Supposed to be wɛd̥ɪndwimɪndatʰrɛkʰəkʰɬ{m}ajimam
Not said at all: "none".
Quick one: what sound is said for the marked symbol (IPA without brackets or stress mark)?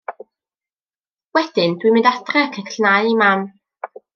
n